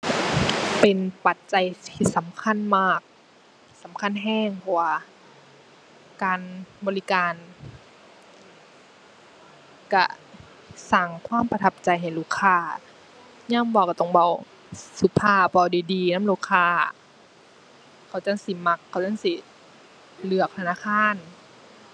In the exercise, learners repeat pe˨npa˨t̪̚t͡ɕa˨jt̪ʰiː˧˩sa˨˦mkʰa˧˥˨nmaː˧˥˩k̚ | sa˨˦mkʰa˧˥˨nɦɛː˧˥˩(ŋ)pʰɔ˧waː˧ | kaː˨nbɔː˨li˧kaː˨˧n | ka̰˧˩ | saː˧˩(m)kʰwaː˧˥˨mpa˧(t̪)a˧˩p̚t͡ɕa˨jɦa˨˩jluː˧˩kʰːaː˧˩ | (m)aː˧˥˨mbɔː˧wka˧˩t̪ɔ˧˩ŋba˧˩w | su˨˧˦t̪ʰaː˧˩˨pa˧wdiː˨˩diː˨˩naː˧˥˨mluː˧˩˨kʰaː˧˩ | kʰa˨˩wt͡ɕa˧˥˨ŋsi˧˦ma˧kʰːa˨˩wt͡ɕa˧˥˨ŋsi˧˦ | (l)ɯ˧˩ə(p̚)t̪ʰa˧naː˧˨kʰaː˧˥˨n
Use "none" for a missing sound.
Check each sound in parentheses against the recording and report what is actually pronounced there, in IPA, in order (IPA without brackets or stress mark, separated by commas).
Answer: ŋ, ŋ, t̪ʰ, ɲ, l, k̚